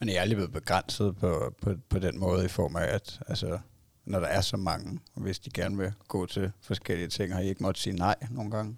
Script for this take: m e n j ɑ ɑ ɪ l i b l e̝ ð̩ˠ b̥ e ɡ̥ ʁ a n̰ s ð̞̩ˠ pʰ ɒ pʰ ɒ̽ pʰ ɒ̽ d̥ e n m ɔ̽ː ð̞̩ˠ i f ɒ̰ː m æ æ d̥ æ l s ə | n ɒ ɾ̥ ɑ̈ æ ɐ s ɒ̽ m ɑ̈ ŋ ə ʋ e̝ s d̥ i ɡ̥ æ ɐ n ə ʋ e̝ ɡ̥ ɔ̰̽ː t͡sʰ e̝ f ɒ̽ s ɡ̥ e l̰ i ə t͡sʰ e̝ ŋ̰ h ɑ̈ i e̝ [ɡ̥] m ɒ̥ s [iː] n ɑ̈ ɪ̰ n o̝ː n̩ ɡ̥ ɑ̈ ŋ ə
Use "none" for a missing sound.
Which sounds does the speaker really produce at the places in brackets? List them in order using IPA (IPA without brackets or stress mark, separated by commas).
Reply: ɡ̥, iː